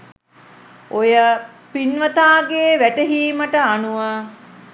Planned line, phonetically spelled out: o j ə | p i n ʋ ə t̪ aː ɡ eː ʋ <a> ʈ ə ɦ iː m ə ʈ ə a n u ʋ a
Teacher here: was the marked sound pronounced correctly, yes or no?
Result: no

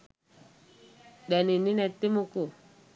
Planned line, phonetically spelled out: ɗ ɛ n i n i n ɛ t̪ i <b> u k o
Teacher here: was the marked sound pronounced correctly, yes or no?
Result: no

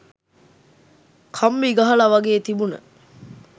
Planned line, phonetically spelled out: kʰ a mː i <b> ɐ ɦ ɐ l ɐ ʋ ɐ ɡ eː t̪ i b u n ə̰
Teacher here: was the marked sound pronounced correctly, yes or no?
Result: no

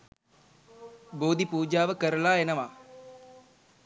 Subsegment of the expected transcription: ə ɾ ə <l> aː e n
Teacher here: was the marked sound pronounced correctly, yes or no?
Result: yes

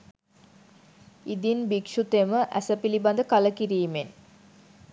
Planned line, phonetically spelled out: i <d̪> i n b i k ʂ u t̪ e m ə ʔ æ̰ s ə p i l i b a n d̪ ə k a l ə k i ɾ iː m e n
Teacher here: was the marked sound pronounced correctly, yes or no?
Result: yes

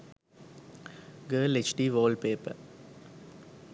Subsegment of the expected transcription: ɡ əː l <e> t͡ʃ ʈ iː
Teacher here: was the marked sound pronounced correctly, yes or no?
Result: yes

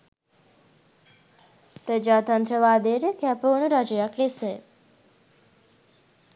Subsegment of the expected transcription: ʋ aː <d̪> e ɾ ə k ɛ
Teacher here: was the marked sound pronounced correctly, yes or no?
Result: yes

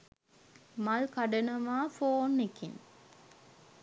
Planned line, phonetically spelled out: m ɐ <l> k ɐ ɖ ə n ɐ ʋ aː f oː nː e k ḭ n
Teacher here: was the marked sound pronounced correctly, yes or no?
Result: yes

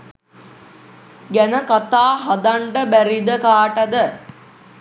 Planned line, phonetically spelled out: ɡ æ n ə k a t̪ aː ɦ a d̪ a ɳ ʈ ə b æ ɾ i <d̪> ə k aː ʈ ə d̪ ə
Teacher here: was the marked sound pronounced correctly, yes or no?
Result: yes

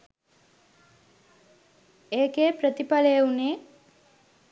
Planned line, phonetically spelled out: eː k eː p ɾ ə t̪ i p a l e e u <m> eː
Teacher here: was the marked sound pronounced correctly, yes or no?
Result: no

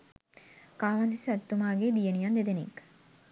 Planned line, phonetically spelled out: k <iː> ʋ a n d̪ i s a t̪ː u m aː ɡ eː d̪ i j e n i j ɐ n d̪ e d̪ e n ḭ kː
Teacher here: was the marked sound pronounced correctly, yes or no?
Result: no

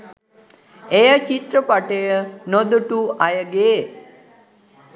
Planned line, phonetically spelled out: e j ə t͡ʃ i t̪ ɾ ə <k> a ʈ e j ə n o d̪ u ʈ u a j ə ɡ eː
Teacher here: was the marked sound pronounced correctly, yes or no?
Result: no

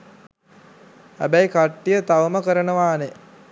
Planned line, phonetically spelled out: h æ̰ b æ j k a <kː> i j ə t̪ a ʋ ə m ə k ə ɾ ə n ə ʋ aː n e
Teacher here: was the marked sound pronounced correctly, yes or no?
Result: no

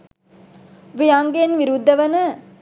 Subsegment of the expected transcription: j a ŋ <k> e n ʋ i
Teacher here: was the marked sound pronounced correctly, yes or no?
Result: no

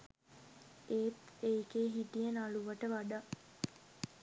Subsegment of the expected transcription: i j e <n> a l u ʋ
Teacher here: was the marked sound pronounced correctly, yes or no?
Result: yes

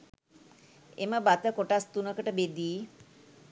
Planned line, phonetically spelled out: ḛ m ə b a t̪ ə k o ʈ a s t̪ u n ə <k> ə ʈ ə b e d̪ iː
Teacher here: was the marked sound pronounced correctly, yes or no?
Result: yes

